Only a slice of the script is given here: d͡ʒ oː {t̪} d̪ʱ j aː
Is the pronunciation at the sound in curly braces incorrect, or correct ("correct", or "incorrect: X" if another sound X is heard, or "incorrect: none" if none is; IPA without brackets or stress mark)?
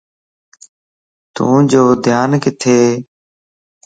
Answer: incorrect: none